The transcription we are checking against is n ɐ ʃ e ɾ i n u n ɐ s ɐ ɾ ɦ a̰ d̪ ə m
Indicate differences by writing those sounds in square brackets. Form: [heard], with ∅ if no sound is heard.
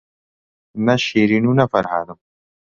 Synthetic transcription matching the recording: n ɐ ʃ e ɾ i n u n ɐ [f] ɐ ɾ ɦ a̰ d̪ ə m

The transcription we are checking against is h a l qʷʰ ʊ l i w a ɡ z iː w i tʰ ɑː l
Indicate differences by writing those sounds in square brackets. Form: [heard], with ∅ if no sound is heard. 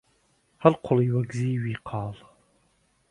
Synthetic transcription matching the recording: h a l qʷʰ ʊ l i w a ɡ z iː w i [qʰ] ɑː l

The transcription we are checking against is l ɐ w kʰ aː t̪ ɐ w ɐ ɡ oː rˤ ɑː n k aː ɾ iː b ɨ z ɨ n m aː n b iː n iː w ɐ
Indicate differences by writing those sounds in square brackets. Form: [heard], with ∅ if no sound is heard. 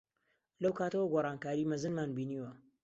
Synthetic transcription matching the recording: l ɐ w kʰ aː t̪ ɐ w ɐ ɡ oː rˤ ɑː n k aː ɾ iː [m] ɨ z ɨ n m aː n b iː n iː w ɐ

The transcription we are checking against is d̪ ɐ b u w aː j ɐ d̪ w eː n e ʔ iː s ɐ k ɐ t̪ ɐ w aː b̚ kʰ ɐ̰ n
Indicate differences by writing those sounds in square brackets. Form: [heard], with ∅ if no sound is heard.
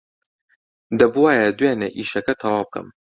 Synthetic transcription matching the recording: d̪ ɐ b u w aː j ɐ d̪ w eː n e ʔ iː [ʃ] ɐ k ɐ [t̪ʰ] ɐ w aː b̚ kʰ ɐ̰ [m]

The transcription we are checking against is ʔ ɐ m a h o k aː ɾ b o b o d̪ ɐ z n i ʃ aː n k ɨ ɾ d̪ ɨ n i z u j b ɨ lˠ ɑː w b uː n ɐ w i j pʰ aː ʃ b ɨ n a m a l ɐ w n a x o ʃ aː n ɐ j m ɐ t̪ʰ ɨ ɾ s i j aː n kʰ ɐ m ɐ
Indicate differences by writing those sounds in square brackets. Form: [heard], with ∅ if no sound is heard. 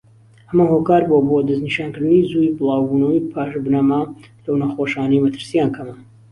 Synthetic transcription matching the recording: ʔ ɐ m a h o k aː ɾ b o b o d̪ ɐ z n i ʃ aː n k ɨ ɾ d̪ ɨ n i z u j b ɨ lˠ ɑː w b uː n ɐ w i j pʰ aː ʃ b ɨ n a m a l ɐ w n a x o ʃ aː n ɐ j m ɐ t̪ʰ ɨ ɾ s i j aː n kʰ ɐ m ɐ

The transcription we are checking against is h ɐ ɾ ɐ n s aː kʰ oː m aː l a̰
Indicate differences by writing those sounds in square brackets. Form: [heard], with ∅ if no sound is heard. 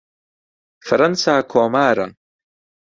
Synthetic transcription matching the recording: [f] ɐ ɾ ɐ n s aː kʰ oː m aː [ɾ] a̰

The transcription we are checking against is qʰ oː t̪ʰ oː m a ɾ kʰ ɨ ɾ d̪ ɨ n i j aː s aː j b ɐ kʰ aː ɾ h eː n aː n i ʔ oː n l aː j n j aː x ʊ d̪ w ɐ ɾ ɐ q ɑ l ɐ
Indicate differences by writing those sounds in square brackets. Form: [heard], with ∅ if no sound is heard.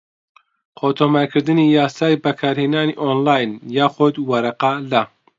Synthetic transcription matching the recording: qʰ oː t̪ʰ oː m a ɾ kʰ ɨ ɾ d̪ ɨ n i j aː s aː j b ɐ kʰ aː ɾ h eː n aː n i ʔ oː n l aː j n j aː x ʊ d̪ w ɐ ɾ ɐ q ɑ l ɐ

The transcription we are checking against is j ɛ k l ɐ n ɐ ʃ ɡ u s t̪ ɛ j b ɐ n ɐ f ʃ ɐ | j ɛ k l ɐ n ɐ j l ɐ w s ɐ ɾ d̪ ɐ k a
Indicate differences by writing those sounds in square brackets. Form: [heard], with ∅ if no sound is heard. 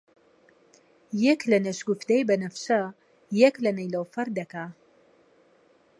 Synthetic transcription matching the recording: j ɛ k l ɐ n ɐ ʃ ɡ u [f] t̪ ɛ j b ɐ n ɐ f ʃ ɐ | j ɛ k l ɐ n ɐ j l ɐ w [f] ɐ ɾ d̪ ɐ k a

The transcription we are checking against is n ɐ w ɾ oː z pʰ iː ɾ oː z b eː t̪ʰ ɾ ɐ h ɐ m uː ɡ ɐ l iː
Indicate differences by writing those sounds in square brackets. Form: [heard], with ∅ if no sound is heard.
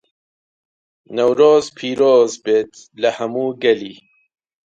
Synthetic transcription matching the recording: n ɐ w ɾ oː z pʰ iː ɾ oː z b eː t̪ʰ [l] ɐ h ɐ m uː ɡ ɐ l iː

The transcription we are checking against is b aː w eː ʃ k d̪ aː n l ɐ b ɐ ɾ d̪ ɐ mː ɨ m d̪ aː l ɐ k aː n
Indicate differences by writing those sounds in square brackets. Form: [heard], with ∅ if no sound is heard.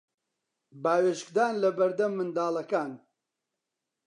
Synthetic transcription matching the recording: b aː w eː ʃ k d̪ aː n l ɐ b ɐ ɾ d̪ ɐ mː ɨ [n] d̪ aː l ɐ k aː n

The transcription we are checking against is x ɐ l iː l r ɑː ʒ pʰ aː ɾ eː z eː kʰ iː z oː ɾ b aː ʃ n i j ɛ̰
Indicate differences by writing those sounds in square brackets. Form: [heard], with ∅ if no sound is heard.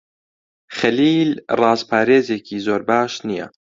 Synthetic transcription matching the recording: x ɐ l iː l r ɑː [z] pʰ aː ɾ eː z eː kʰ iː z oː ɾ b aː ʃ n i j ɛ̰

